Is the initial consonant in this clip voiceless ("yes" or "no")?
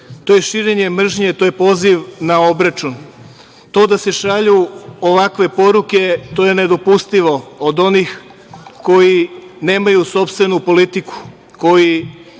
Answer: yes